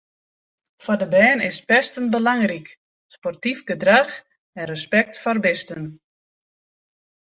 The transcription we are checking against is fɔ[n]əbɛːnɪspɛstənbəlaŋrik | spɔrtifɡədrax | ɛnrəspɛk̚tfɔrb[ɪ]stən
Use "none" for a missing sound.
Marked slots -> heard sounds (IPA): d, ɪ

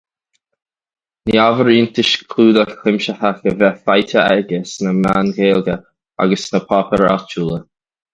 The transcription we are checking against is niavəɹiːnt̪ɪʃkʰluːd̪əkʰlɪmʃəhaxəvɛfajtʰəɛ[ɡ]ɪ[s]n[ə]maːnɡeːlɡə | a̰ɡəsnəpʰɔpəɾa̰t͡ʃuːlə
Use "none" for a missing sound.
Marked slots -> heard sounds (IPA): ɡ, s, ə

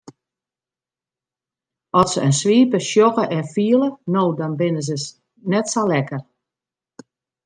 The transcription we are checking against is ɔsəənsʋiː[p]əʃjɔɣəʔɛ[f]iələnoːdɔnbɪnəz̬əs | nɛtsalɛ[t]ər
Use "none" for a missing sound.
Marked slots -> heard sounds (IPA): p, f, k

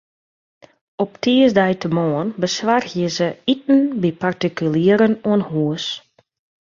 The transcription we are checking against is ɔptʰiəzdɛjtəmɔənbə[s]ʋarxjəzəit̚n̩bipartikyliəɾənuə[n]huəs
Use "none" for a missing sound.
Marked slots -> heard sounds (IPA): s, n

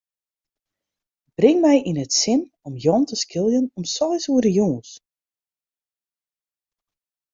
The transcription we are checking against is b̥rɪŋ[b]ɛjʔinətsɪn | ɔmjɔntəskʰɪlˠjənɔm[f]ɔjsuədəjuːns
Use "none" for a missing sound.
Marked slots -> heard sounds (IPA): m, s

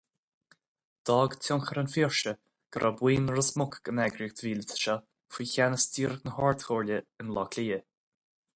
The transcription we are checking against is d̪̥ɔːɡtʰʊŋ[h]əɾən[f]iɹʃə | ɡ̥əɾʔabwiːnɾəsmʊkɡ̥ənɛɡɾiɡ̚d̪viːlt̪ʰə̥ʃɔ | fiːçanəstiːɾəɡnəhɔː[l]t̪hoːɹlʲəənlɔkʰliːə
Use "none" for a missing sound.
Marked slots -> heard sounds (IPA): x, f, ɹ

